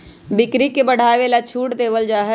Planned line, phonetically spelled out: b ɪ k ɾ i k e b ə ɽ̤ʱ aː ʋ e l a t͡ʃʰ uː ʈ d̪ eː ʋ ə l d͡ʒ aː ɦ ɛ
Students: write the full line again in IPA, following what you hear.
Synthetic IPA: b ɪ k ɾ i k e b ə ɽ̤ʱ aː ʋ e l a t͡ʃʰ uː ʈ d̪ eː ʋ ə l d͡ʒ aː ɦ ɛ